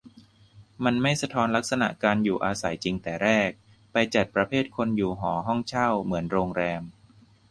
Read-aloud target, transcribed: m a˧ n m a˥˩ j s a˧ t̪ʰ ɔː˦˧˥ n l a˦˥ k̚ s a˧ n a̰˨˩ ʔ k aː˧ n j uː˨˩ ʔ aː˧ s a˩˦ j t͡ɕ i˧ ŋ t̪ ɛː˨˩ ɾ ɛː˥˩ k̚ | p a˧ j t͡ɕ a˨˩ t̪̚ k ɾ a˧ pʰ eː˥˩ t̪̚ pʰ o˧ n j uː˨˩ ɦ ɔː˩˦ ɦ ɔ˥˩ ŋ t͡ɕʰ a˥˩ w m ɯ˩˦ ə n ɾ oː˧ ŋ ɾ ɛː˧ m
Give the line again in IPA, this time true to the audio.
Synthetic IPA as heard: m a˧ n m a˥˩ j s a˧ t̪ʰ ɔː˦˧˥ n l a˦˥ k̚ s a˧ n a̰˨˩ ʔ k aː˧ n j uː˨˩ ʔ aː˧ s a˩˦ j t͡ɕ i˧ ŋ t̪ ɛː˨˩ ɾ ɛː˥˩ k̚ | p a˧ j t͡ɕ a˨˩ t̪̚ p ɾ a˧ pʰ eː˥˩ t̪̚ kʰ o˧ n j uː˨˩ ɦ ɔː˩˦ ɦ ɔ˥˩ ŋ t͡ɕʰ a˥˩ w m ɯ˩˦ ə n ɾ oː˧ ŋ ɾ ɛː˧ m

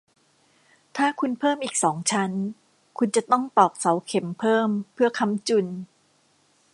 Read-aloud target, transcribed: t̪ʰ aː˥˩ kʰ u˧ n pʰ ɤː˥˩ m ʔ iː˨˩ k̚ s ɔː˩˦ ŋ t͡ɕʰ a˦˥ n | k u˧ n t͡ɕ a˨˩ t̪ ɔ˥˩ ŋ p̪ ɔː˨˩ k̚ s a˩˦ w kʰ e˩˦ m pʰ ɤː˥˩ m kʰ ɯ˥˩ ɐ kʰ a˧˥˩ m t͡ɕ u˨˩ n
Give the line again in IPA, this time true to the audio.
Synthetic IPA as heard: t̪ʰ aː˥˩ kʰ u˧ n pʰ ɤː˥˩ m ʔ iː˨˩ k̚ s ɔː˩˦ ŋ t͡ɕʰ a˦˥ n | kʰ u˧ n t͡ɕ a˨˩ t̪ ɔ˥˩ ŋ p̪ ɔː˨˩ k̚ s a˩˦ w kʰ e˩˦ m pʰ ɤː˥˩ m pʰ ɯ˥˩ ɐ kʰ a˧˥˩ m t͡ɕ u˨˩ n

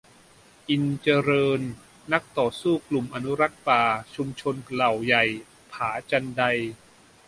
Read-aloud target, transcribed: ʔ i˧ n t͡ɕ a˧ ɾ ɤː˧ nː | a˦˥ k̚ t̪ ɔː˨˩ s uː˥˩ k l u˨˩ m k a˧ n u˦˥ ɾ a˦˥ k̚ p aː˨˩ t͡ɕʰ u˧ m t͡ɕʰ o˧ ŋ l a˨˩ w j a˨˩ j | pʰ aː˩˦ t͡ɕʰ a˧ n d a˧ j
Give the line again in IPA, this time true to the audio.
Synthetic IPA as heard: ʔ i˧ n t͡ɕ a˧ ɾ ɤː˧ nː | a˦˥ k̚ t̪ ɔː˨˩ s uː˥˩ k l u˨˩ m ʔ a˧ n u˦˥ ɾ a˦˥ k̚ p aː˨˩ t͡ɕʰ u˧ m t͡ɕʰ o˧ n l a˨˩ w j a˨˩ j | pʰ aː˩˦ t͡ɕ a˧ n d a˧ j

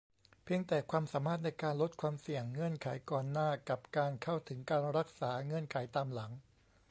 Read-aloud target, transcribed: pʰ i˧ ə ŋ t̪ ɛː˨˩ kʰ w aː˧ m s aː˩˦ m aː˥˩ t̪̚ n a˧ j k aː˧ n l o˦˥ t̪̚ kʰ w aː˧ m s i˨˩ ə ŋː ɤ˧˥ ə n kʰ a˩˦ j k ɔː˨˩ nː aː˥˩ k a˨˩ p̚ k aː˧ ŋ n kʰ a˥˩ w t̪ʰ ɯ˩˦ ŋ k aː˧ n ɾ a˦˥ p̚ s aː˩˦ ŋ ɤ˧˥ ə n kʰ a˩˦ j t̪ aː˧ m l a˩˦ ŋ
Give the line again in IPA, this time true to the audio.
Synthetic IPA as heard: pʰ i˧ ə ŋ t̪ ɛː˨˩ kʰ w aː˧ m s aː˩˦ m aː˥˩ t̪̚ n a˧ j k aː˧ n l o˦˥ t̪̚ kʰ w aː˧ m s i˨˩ ə ŋː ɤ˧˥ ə n kʰ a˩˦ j k ɔː˨˩ nː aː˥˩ k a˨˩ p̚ k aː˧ n kʰ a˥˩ w t̪ʰ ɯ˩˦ ŋ k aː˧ n ɾ a˦˥ k̚ s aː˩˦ ŋ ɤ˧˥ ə n kʰ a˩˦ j t̪ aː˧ m l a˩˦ ŋ

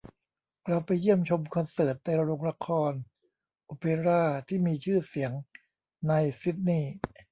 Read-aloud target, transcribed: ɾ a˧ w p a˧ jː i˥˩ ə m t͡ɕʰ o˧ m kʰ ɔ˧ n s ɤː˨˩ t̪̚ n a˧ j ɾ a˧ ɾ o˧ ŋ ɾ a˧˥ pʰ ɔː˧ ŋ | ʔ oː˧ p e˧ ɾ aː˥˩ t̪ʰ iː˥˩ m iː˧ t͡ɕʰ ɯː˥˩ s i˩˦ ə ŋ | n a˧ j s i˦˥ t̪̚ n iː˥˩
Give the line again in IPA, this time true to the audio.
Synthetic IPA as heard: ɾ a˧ w p a˧ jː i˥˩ ə m t͡ɕʰ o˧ m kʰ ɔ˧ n s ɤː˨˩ t̪̚ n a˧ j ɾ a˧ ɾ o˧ ŋ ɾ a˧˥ kʰ ɔː˧ n | ʔ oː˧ p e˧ ɾ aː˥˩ t̪ʰ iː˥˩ m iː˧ t͡ɕʰ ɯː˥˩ s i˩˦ ə ŋ | n a˧ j s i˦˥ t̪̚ n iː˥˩

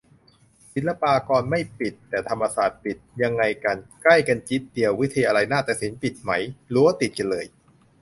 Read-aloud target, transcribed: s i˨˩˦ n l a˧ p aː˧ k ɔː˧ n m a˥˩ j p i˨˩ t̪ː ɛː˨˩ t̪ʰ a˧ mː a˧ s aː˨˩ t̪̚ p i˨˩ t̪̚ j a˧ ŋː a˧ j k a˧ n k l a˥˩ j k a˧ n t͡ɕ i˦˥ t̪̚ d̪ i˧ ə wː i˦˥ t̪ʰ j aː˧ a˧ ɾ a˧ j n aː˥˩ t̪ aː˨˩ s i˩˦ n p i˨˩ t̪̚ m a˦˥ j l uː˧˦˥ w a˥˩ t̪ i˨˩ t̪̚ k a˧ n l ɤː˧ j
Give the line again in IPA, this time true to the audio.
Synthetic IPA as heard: s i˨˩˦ n l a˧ p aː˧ k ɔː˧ n m a˥˩ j p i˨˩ t̪ː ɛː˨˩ t̪ʰ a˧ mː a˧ s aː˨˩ t̪̚ p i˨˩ t̪̚ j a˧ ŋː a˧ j k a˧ n k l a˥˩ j k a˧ n t͡ɕ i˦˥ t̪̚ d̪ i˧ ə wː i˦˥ t̪ʰ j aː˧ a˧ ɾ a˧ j n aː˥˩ t̪ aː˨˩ s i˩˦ n p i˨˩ t̪̚ m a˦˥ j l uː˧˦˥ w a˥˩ t̪ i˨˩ t̪̚ k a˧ n l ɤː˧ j

